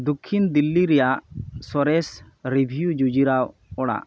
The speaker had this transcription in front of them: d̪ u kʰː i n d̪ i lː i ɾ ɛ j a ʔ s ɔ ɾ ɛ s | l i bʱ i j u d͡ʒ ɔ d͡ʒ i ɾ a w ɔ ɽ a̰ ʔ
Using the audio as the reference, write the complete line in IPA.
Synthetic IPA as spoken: d̪ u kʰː i n d̪ i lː i ɾ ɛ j a ʔ s ɔ ɾ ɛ s | ɾ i bʱ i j u d͡ʒ u d͡ʒ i ɾ a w ɔ ɽ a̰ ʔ